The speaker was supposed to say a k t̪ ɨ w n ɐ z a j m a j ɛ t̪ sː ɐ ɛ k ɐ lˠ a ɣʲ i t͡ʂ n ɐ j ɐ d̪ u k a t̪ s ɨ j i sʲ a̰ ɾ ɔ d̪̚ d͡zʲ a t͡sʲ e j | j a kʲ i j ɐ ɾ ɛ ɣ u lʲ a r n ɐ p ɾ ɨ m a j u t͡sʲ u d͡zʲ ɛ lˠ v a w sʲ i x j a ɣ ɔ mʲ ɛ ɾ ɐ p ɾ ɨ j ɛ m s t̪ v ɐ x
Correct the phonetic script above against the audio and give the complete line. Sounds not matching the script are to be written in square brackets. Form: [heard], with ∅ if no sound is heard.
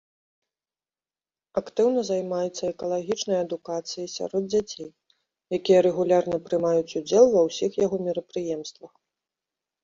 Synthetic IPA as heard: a k t̪ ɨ w n ɐ z a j m a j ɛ t̪ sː ɐ ɛ k ɐ lˠ a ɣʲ i t͡ʂ n ɐ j ɐ d̪ u k a t̪ s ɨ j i sʲ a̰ ɾ ɔ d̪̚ d͡zʲ a t͡sʲ e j | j a kʲ i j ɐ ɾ ɛ ɣ u lʲ a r n ɐ p ɾ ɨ m a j u t͡sʲ u d͡zʲ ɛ lˠ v [ɐ] w sʲ i x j a ɣ ɔ mʲ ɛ ɾ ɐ p ɾ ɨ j ɛ m s t̪ v ɐ x